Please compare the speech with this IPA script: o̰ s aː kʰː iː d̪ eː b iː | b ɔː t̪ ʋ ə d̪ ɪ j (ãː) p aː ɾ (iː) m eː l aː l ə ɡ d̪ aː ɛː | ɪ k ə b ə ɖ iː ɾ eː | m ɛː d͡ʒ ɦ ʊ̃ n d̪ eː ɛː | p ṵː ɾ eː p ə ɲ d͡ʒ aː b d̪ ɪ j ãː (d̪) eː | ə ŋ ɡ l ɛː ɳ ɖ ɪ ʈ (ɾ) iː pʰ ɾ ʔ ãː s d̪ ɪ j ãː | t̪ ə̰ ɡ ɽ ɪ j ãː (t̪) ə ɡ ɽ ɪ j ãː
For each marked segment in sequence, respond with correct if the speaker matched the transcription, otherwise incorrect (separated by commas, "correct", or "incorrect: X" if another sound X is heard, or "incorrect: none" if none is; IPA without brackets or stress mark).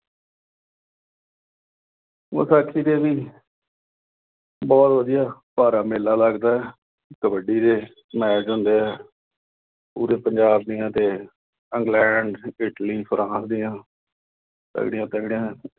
incorrect: aː, incorrect: aː, incorrect: t̪, incorrect: l, correct